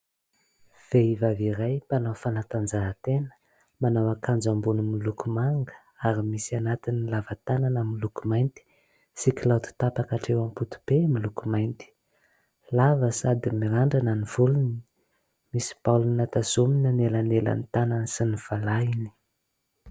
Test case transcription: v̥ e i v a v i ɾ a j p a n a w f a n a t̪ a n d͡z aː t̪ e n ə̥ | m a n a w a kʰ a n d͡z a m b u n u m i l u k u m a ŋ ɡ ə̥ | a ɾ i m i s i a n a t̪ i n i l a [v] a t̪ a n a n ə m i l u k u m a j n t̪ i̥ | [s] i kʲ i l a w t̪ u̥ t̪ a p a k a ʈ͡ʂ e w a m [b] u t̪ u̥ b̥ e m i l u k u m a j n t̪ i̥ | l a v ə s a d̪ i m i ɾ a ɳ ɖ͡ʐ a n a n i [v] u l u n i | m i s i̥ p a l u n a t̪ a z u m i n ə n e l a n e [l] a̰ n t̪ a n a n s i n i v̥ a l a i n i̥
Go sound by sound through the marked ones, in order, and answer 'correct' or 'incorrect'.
correct, correct, incorrect: p, correct, correct

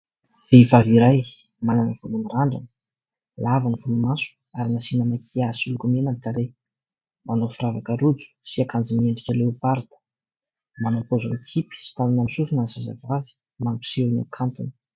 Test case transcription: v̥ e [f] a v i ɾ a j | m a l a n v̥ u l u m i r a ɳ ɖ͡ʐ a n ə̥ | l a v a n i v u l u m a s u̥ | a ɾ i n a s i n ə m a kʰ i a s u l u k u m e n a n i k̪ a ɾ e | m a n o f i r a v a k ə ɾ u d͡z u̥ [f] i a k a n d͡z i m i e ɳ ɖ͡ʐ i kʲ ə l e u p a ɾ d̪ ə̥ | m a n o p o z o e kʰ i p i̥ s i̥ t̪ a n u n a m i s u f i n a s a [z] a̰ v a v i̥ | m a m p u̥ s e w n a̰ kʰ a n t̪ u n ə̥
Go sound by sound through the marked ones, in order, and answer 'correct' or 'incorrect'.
incorrect: v, incorrect: s, correct

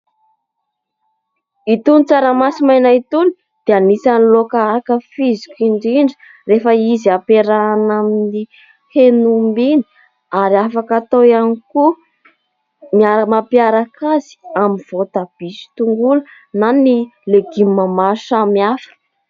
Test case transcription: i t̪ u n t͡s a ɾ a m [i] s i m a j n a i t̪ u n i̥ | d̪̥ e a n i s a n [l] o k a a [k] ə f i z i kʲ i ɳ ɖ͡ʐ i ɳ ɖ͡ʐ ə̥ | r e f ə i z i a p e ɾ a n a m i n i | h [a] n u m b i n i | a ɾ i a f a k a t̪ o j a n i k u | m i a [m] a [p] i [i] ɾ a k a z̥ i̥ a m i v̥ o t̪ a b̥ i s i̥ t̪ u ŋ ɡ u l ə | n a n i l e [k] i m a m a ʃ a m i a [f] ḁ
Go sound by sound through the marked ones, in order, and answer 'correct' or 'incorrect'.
incorrect: a, correct, correct, incorrect: e, correct, correct, incorrect: a, incorrect: ɡ, correct

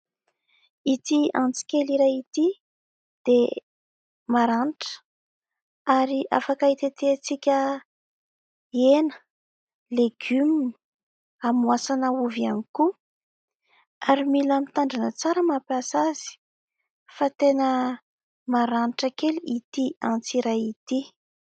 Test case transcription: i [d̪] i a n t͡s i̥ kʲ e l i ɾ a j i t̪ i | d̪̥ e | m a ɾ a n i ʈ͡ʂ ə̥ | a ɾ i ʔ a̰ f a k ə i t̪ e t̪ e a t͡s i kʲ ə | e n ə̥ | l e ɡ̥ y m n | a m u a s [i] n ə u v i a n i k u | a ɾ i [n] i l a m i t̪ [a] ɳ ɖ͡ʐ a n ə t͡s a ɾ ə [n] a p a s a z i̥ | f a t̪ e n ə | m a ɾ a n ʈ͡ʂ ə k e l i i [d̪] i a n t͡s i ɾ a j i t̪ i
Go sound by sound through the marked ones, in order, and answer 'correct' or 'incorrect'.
incorrect: t̪, incorrect: a, incorrect: m, correct, incorrect: m, incorrect: t̪

